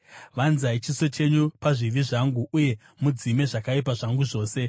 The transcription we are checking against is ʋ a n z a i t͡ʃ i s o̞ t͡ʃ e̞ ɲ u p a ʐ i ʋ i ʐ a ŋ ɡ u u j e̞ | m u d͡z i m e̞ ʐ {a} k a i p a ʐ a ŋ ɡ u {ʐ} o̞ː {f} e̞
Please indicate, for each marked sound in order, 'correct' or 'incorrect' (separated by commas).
correct, correct, incorrect